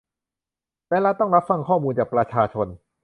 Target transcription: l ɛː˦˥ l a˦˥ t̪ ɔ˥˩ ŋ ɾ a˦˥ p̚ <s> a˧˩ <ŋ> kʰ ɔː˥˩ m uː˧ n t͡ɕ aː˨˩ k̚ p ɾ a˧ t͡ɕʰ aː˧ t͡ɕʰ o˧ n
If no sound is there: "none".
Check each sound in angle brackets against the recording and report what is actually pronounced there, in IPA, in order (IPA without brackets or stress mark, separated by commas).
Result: f, ŋ